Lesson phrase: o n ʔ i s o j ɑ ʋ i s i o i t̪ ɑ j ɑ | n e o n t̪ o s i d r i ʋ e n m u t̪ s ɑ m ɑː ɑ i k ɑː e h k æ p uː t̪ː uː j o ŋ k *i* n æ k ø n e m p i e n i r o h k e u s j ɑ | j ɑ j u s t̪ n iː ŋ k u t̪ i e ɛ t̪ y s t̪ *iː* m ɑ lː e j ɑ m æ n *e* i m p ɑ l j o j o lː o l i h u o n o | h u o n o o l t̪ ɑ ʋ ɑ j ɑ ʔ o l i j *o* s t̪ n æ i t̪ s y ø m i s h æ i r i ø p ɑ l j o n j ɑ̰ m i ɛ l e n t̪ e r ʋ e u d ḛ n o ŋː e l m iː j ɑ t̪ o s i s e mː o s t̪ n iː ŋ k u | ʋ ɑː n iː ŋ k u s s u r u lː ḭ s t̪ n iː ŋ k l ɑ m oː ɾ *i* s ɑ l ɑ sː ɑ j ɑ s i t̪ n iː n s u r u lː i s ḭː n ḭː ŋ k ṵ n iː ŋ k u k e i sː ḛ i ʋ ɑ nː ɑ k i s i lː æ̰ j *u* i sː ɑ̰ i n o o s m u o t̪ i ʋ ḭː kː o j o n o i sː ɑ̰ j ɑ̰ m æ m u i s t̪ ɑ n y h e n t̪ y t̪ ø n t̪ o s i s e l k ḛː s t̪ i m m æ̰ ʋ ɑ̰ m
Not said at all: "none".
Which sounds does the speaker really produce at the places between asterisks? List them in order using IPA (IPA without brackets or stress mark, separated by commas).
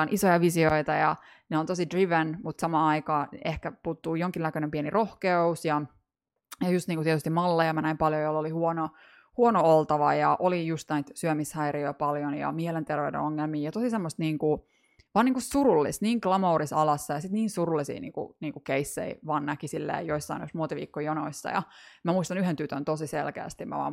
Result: i, i, æ, u, i, o